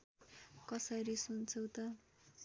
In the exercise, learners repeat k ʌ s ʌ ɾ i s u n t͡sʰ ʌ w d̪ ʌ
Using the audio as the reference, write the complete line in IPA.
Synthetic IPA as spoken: k ʌ s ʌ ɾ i s u n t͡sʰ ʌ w t̪ ʌ